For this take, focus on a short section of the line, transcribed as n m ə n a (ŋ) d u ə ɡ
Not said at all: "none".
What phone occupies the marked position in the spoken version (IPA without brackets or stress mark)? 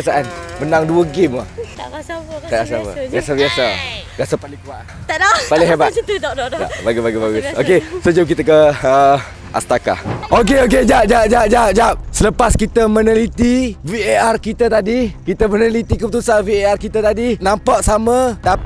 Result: ŋ